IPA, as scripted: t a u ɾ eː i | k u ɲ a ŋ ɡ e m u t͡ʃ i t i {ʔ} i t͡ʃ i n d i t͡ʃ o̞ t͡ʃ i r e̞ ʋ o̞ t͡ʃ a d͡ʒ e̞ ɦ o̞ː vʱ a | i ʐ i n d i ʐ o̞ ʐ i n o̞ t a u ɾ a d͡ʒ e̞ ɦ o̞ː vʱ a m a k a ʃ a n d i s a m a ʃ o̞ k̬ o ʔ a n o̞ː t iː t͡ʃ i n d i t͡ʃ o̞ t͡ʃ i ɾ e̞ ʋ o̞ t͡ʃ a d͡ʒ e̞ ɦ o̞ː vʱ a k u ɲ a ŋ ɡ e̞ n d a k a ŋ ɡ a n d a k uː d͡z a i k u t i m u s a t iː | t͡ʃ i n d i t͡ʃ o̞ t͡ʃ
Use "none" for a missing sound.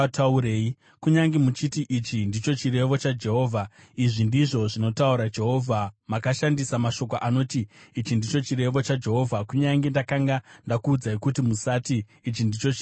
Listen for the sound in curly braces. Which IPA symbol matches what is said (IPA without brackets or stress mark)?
ʔ